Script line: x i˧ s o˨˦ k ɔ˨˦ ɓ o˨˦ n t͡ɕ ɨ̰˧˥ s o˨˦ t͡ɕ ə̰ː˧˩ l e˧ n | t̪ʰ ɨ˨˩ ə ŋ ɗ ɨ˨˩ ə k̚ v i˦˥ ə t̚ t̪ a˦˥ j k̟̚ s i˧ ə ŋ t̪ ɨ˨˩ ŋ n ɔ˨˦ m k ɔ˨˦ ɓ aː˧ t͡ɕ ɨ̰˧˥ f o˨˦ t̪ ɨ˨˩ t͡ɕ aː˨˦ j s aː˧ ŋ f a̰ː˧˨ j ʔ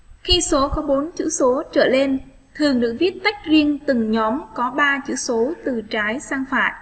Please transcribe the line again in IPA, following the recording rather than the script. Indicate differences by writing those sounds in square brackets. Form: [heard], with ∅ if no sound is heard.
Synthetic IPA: x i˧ s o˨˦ k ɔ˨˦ ɓ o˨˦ n t͡ɕ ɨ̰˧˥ s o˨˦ t͡ɕ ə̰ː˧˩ l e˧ n | t̪ʰ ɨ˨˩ ə ŋ ɗ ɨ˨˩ ə k̚ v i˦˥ ə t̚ t̪ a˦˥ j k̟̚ [z] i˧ ə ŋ t̪ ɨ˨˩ ŋ [ɲ] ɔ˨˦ m k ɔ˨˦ ɓ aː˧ t͡ɕ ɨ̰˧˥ [s] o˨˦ t̪ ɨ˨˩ t͡ɕ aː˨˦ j s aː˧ ŋ f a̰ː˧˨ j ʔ